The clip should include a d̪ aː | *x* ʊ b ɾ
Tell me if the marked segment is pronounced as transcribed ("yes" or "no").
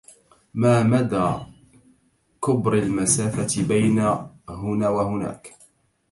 no